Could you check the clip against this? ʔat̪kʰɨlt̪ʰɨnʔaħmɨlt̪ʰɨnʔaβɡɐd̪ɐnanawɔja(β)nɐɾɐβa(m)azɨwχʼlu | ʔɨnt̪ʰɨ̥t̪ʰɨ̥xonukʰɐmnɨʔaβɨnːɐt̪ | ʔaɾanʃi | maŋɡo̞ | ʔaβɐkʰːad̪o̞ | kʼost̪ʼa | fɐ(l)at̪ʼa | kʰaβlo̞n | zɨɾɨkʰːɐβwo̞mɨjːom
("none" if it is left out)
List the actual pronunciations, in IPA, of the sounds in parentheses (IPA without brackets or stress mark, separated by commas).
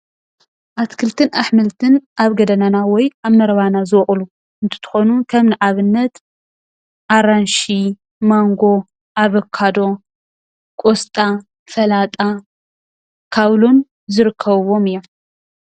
β, n, l